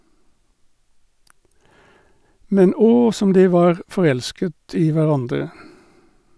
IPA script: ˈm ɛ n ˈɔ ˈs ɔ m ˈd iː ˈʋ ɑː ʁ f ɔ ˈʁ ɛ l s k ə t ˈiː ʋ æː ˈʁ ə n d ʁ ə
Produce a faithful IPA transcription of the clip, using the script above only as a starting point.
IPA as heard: ˈm ɛ n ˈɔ ˈs ɔ m ˈd iː ˈʋ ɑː ʁ f ɔ ˈʁ ɛ l s k ə t ˈiː ʋ æ ˈʁ ɑ n d ʁ ə